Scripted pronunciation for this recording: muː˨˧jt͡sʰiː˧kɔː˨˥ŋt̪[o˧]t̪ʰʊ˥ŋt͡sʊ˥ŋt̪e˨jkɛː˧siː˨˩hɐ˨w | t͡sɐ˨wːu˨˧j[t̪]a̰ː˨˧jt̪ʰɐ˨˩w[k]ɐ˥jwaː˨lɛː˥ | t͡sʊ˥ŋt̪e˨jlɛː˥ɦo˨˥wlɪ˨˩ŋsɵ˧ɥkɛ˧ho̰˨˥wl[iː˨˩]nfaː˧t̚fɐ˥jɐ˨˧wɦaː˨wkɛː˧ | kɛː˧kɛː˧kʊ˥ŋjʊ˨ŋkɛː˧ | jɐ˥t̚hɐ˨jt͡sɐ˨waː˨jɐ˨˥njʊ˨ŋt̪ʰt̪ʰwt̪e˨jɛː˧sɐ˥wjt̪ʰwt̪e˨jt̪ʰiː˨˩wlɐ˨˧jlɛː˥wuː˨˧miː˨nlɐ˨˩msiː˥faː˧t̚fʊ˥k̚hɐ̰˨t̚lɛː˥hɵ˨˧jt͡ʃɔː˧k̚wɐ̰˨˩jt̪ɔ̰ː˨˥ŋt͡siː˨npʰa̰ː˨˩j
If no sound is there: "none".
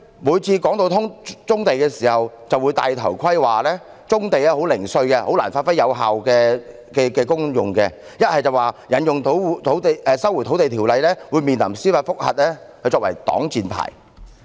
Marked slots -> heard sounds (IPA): o˧, t̪, kʰ, aː˨˩

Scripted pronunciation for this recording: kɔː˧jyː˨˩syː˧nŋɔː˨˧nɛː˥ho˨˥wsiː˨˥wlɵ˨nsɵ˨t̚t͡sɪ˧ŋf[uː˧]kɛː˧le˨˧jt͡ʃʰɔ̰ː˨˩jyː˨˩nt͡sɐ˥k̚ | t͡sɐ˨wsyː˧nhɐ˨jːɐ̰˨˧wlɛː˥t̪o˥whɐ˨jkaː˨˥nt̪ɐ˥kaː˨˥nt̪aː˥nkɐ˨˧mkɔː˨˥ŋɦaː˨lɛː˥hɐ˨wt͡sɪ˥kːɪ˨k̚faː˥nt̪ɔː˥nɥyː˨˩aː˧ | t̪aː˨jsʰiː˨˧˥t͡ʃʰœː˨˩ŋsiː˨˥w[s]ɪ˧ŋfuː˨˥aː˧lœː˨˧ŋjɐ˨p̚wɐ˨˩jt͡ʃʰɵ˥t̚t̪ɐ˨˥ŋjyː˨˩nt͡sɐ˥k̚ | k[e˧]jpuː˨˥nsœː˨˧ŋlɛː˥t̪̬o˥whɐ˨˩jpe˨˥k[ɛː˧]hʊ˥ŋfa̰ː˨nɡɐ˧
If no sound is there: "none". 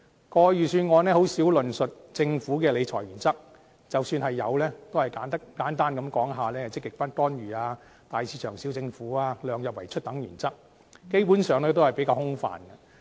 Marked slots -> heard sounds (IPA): uː˨˥, t͡s, e˥, aː˧

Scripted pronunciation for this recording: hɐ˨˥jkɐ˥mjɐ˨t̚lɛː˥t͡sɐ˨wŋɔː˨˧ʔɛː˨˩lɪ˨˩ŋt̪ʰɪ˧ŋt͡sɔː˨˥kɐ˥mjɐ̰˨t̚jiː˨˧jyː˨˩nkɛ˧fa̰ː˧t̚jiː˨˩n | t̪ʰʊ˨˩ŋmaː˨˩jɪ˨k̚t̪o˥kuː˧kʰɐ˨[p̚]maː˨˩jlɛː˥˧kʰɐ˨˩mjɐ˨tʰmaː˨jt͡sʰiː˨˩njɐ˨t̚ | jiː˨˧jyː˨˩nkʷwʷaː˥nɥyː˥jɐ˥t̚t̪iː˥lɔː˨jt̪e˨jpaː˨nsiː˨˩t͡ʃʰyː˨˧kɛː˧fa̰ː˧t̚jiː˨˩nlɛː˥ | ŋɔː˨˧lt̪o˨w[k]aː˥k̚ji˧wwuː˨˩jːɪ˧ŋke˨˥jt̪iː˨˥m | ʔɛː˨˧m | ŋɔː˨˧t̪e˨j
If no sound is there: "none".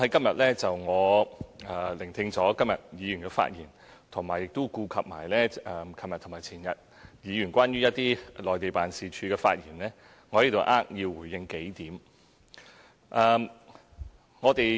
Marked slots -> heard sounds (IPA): p̚, ʔ

